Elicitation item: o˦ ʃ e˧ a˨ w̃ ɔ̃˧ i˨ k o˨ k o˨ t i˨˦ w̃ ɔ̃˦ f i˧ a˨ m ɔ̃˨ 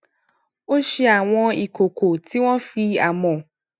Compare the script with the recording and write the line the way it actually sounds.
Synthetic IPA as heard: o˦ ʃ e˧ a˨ w̃ ɔ̃˧ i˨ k o˨ k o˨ t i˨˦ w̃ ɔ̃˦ f i˧ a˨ m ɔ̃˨